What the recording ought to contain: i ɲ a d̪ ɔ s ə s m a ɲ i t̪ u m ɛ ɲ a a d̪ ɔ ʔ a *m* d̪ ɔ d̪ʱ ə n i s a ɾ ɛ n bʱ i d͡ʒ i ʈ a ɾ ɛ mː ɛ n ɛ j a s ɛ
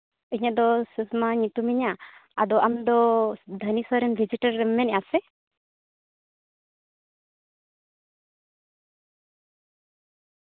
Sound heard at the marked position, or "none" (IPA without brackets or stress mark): m